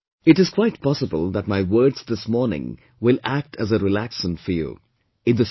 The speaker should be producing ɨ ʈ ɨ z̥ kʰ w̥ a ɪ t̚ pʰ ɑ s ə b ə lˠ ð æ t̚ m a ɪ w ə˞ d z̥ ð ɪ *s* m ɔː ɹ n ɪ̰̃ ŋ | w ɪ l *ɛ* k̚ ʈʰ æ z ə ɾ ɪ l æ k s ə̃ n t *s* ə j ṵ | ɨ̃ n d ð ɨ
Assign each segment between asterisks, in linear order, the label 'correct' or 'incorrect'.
correct, incorrect: æ, incorrect: f

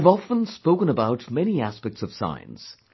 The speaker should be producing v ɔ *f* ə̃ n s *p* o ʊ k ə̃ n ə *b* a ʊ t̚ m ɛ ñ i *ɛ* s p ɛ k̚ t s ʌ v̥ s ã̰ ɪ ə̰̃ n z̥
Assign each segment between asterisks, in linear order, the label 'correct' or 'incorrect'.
correct, correct, correct, incorrect: æ

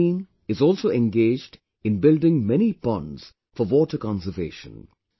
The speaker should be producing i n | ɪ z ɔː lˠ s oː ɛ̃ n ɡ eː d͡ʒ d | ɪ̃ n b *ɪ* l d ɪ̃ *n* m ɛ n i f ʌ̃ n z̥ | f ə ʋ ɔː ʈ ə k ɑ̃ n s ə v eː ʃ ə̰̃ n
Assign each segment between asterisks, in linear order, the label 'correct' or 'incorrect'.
correct, incorrect: ŋ

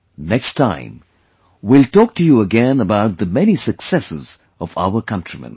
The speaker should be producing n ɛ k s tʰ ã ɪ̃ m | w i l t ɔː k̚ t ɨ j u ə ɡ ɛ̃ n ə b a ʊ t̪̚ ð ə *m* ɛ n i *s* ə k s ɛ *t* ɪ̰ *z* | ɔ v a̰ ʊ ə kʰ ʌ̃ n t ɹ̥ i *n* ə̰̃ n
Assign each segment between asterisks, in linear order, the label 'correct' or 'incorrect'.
correct, correct, incorrect: s, correct, incorrect: m

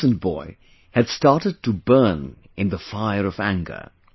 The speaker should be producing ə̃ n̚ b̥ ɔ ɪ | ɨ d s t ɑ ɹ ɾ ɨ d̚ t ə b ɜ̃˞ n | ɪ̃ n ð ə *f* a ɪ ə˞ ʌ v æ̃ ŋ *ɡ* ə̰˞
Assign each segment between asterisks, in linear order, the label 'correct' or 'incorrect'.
correct, correct

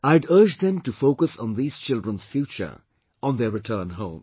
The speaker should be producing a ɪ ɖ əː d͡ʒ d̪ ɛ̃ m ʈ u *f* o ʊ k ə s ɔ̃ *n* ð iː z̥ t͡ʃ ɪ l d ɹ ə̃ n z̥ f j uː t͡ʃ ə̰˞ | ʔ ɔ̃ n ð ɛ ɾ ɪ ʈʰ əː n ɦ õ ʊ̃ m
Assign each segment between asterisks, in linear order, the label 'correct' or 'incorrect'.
correct, correct

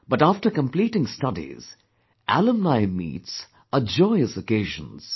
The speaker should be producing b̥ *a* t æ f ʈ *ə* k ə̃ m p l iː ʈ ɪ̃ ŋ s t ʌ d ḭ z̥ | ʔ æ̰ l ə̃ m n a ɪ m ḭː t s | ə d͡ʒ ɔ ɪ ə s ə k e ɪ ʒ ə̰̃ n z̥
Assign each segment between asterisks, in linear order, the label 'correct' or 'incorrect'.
incorrect: ʌ, correct

